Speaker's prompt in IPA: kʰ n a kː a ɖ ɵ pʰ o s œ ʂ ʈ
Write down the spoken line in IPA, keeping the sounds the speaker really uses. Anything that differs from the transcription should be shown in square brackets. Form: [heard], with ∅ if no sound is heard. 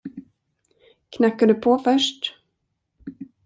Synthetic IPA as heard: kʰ n a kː a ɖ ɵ pʰ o [f] œ ʂ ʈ